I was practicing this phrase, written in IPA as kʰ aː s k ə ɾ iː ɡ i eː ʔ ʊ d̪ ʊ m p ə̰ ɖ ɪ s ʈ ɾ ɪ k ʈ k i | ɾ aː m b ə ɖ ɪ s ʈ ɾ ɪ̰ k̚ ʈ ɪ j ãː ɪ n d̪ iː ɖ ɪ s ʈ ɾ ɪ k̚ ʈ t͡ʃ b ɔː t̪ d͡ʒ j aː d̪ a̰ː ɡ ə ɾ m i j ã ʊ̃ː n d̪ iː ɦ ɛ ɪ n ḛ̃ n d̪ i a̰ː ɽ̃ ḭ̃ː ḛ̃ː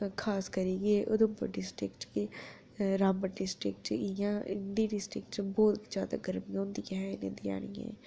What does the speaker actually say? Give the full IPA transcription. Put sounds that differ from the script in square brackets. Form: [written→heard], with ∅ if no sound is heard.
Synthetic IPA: kʰ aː s k ə ɾ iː ɡ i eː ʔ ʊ d̪ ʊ m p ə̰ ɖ ɪ s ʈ ɾ ɪ k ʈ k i | ɾ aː m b ə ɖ ɪ s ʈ ɾ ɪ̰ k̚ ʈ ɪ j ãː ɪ n d̪ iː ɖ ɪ s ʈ ɾ ɪ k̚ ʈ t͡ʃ b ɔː t̪ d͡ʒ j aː d̪ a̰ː ɡ ə ɾ m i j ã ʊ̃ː n d̪ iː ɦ ɛ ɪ n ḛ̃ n d̪ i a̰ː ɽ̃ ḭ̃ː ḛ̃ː